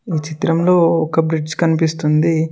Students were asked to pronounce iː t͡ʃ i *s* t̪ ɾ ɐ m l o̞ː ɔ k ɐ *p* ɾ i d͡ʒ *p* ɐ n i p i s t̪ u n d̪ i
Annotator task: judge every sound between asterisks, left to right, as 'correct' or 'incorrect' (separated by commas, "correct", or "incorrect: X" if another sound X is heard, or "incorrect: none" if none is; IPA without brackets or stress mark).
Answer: incorrect: none, incorrect: b, incorrect: k